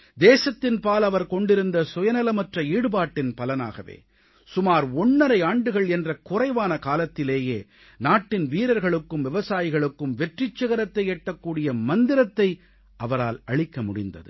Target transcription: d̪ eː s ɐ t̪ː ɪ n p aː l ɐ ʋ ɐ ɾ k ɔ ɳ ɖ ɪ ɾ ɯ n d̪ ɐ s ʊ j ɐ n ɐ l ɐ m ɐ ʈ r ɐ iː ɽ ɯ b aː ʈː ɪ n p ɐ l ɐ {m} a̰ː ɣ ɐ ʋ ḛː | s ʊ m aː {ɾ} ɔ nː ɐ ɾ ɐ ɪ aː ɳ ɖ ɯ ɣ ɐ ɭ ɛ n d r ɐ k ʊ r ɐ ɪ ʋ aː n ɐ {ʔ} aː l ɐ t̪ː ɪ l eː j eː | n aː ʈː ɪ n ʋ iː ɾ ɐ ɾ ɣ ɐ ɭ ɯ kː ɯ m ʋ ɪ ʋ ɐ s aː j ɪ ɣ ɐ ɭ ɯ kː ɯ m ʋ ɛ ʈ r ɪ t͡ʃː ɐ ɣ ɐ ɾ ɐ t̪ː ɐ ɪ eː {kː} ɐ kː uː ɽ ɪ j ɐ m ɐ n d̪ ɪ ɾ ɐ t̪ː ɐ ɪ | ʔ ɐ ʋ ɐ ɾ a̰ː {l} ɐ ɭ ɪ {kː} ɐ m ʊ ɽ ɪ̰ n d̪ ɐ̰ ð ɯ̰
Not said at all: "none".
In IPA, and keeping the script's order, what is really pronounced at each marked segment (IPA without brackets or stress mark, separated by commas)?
n, ɾ, k, ʈː, l, kː